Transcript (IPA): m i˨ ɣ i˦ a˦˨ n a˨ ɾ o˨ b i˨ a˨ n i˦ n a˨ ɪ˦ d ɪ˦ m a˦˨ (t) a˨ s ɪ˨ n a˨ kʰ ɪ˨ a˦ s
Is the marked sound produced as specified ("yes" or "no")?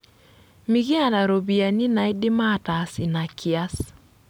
yes